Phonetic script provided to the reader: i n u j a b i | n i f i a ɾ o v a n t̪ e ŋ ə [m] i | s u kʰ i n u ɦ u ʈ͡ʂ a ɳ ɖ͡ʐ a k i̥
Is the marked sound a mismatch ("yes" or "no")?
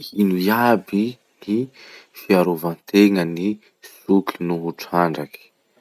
yes